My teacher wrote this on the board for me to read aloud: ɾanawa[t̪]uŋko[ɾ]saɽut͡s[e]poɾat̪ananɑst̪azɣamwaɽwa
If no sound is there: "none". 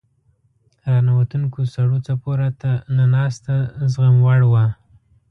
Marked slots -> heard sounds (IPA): t̪, none, a

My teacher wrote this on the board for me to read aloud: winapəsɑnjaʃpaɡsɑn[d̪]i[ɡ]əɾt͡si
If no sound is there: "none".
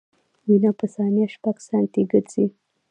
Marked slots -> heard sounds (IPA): t̪, ɡ

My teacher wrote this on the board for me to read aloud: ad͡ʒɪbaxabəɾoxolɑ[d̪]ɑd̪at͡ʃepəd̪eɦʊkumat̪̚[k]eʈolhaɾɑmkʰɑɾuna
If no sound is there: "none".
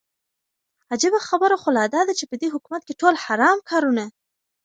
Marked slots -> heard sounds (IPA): d̪, k

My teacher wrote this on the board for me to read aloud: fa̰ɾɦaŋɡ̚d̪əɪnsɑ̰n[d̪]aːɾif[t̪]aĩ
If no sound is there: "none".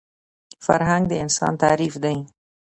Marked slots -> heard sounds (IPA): t̪, d̪

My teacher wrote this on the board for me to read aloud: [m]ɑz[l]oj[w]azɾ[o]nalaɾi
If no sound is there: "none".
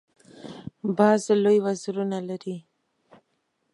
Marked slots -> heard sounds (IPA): b, l, w, u

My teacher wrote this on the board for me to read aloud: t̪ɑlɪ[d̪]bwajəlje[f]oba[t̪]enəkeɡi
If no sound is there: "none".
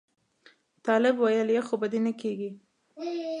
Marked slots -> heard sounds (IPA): none, x, d̪

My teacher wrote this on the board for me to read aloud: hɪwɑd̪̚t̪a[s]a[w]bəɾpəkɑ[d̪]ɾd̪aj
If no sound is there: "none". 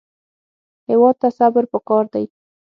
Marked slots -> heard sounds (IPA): s, none, none

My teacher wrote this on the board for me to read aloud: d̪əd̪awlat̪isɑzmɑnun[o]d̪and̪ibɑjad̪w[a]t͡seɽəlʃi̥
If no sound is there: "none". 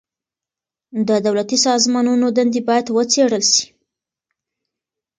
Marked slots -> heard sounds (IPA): o, ə

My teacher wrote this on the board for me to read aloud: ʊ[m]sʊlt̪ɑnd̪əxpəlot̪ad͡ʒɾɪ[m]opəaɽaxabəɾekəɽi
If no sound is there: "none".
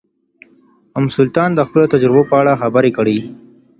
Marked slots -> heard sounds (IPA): m, b

